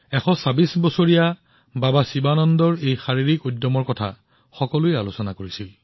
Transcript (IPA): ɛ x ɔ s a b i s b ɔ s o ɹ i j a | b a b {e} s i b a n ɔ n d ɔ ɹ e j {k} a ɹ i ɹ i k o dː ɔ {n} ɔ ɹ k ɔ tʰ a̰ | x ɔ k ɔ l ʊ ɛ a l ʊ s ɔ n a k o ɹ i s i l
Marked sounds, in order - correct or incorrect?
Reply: incorrect: a, incorrect: x, incorrect: m

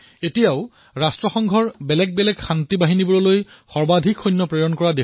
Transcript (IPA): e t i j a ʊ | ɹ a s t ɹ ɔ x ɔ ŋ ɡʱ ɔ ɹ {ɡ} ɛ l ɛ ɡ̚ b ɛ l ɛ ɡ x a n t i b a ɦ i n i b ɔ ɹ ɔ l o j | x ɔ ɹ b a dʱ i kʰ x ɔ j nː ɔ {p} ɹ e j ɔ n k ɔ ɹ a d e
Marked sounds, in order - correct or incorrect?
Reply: incorrect: b, correct

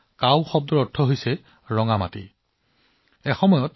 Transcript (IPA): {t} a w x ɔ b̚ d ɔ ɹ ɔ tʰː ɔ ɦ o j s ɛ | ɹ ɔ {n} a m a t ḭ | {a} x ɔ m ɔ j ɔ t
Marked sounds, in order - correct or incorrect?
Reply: incorrect: k, incorrect: ŋ, incorrect: ɛ

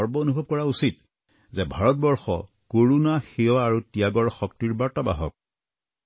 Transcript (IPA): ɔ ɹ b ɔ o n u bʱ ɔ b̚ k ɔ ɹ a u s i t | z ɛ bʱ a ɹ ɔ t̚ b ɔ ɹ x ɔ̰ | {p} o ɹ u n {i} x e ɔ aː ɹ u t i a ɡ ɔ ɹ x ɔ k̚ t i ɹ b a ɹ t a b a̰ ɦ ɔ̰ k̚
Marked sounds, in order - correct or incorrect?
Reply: incorrect: k, incorrect: a

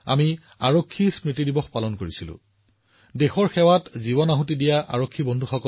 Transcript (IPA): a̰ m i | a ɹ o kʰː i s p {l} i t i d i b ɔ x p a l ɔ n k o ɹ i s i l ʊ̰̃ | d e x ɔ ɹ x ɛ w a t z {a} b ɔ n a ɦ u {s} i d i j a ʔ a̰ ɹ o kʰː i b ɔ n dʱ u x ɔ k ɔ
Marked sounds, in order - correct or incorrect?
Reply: incorrect: ɹ, incorrect: i, incorrect: t

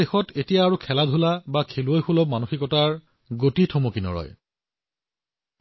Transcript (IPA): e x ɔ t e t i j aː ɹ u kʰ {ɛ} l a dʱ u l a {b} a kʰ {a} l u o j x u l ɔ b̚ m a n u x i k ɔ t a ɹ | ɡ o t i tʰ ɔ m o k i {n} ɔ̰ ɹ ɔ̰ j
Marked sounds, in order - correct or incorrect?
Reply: correct, correct, incorrect: e, correct

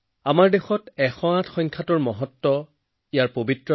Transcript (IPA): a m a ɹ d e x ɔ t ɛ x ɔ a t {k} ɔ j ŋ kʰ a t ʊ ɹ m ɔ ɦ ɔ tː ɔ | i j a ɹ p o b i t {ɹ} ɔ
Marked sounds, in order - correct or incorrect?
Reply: incorrect: x, correct

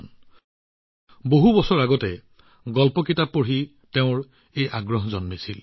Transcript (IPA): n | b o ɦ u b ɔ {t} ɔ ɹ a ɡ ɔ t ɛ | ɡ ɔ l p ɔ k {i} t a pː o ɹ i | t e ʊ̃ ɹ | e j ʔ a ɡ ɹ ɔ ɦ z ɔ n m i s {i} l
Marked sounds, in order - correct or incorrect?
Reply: incorrect: s, correct, correct

